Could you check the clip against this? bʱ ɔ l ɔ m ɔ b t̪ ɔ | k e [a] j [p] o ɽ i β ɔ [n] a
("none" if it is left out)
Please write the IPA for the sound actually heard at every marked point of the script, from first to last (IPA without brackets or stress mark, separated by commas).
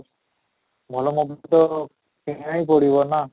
a, p, n